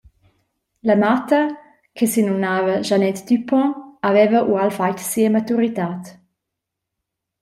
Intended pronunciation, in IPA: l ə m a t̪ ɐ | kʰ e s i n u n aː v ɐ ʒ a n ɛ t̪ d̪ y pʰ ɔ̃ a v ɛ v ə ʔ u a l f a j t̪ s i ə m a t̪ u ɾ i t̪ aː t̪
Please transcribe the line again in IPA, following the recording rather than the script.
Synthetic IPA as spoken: l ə m a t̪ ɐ | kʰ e s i n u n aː v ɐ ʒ a n ɛ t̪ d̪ y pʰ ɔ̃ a v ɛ v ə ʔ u a l f a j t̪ s i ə m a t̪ u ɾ i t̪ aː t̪